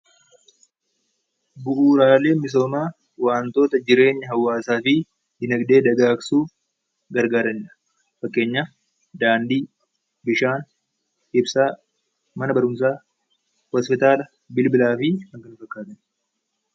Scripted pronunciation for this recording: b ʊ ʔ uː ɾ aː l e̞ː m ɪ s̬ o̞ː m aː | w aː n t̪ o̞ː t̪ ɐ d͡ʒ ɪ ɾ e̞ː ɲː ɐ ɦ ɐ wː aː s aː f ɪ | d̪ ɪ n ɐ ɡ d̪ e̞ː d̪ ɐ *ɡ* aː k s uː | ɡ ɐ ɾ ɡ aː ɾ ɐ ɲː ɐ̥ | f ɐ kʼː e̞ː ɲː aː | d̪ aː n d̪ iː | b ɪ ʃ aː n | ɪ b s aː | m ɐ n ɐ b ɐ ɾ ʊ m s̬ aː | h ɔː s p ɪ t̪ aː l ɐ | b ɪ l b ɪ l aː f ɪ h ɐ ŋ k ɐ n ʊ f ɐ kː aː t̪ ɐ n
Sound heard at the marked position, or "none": ɡ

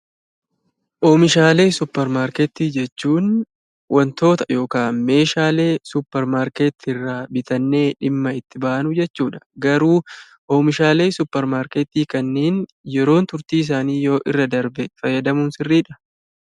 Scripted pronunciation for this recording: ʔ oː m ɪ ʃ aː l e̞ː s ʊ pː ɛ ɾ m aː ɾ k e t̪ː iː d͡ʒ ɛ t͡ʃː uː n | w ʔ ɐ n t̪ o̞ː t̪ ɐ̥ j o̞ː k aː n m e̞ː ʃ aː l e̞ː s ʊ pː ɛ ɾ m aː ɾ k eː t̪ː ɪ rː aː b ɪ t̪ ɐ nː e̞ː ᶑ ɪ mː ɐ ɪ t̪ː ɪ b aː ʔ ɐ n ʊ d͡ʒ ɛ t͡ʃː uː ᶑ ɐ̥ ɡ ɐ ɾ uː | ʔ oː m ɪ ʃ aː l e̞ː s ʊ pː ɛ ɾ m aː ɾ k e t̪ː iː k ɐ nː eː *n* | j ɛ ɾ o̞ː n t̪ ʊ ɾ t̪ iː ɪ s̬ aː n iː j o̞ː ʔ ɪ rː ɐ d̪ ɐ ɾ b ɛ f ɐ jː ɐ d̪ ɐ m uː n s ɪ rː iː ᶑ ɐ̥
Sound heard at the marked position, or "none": n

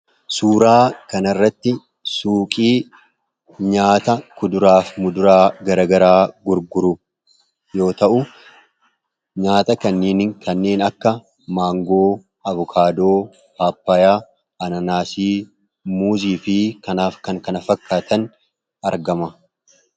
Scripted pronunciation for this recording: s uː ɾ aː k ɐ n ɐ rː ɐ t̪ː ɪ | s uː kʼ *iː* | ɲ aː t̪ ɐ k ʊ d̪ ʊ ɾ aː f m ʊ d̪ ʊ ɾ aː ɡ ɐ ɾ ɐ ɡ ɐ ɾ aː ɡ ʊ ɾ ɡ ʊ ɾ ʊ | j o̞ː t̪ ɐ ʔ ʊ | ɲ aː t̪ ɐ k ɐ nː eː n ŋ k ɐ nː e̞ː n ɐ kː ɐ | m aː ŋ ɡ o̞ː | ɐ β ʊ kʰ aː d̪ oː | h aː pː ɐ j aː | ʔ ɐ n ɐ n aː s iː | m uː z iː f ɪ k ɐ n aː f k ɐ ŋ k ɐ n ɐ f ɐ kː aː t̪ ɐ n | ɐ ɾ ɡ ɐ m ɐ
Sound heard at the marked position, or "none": iː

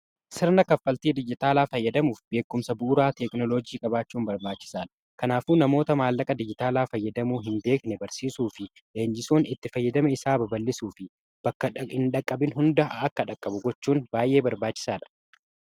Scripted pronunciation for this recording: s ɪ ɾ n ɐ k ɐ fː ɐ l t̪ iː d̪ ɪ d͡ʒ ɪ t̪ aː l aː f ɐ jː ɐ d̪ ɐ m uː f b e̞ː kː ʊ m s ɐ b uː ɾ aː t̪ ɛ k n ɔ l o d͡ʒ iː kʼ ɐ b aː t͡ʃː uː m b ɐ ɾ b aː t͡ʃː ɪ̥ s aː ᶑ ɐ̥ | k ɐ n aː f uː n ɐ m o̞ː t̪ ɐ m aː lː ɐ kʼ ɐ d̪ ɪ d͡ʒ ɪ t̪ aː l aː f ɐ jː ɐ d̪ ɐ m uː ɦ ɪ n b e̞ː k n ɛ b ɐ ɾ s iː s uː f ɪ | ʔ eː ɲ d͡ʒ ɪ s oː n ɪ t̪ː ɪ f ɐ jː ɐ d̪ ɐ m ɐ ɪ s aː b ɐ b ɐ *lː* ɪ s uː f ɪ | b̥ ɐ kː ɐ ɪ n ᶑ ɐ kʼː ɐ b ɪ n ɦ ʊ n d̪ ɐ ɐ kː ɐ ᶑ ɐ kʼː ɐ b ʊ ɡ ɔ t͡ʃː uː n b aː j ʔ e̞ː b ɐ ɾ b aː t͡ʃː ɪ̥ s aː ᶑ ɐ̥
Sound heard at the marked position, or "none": lː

